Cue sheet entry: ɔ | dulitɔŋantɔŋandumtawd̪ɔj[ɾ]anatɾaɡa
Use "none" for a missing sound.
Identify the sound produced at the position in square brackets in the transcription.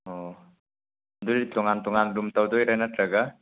ɾ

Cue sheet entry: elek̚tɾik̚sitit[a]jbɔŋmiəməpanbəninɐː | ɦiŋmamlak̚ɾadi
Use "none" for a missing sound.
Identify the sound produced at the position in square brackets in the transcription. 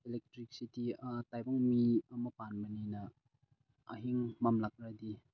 a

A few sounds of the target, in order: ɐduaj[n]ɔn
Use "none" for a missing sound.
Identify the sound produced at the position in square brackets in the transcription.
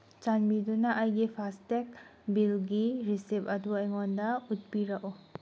ŋ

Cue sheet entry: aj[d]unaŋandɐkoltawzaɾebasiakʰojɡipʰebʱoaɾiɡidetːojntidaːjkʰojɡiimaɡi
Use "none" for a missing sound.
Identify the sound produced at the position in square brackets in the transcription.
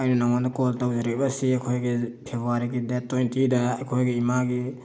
n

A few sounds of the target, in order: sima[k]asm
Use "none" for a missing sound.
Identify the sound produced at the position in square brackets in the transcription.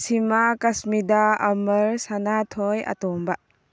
k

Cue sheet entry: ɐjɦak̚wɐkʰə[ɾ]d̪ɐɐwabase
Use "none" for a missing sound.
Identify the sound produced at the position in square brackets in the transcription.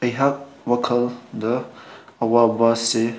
l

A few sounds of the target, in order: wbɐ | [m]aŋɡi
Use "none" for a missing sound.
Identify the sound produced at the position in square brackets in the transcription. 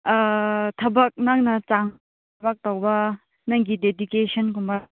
n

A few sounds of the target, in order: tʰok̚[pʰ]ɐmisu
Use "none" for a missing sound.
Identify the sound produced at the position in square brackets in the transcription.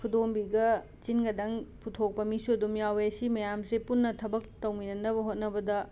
p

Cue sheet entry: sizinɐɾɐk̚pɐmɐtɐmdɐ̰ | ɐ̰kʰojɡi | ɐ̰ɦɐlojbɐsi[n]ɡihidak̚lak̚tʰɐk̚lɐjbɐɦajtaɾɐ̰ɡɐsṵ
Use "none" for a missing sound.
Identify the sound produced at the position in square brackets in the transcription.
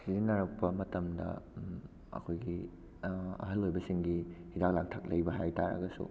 ŋ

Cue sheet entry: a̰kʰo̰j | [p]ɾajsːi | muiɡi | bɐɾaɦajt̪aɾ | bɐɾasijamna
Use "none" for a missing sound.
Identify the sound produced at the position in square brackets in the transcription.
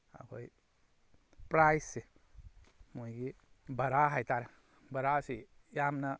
p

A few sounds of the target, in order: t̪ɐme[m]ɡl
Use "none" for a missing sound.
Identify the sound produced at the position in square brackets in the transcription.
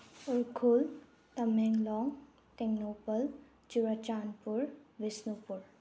ŋ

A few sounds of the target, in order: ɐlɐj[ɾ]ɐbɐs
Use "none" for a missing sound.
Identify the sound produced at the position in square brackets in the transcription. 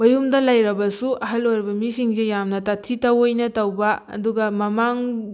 ɾ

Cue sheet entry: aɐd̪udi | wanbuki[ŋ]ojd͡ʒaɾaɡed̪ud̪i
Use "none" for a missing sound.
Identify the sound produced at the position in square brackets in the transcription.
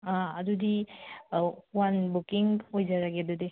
ŋ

